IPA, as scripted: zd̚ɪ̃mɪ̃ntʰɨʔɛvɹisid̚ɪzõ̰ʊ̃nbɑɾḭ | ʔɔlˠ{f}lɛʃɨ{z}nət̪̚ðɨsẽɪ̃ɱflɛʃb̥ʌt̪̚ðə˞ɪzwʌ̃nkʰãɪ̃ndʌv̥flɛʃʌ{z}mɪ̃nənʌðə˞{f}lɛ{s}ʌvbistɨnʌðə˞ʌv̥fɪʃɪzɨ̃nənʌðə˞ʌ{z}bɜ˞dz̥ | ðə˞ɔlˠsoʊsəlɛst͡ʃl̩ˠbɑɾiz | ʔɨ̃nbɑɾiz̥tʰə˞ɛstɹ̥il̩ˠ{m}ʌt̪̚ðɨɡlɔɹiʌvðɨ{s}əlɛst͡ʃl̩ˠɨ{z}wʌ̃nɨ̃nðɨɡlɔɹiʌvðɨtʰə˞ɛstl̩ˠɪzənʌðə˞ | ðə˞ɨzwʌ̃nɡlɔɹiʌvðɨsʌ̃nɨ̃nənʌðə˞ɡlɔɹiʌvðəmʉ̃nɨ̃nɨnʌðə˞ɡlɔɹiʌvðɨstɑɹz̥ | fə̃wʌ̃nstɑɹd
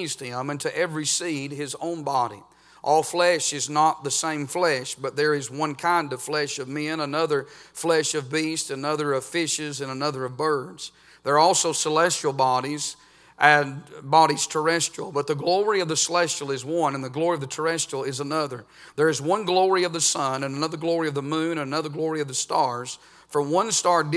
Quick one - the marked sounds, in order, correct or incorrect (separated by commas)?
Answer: correct, correct, incorrect, correct, incorrect, incorrect, incorrect, correct, correct